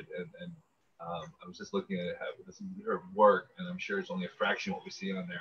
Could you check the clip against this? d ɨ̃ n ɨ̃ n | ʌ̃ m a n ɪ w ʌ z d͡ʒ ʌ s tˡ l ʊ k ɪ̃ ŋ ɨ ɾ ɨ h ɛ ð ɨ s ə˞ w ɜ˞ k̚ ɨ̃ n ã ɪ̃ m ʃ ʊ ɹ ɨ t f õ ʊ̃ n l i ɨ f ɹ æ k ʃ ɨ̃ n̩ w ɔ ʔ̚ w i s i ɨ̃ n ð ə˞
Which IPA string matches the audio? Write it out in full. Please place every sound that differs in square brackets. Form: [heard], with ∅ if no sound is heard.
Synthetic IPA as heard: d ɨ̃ n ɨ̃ n | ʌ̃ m a [∅] ɪ w ʌ z d͡ʒ ʌ s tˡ l ʊ k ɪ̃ ŋ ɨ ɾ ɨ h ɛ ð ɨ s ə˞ w ɜ˞ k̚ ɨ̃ n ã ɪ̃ m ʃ ʊ ɹ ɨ t [s] õ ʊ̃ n l i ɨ f ɹ æ k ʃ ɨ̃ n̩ w [ʌ] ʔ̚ w i s i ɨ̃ n ð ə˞